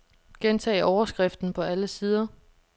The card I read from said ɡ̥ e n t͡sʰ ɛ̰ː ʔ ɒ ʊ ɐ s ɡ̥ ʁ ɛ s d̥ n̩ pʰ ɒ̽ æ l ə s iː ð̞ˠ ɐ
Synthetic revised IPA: ɡ̥ e n t͡sʰ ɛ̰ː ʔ ɒ ʊ ɐ s ɡ̥ ʁ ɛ f d̥ n̩ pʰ ɒ̽ æ l ə s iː ð̞ˠ ɐ